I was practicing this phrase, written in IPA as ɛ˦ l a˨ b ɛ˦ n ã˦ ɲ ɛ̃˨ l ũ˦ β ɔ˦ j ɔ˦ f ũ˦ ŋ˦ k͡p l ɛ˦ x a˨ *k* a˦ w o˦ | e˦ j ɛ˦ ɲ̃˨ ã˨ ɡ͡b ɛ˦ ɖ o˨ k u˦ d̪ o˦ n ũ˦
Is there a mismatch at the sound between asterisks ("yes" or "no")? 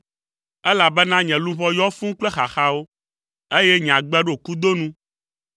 yes